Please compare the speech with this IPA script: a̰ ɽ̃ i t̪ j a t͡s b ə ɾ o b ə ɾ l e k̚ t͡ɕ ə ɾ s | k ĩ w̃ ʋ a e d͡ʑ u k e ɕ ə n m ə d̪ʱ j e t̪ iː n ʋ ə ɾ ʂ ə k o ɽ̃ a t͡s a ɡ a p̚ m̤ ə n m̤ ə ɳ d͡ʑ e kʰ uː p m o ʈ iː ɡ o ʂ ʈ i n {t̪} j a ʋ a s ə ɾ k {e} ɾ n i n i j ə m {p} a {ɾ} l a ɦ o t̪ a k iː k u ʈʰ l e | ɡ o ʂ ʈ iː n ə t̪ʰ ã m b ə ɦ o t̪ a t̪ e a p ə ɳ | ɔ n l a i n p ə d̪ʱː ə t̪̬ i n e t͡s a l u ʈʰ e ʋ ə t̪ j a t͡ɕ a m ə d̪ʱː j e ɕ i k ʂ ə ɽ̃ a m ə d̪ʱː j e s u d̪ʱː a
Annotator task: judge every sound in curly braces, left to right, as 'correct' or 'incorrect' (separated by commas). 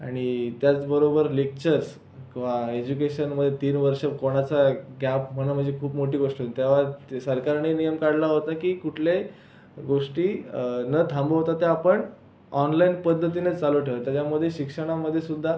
correct, incorrect, incorrect, incorrect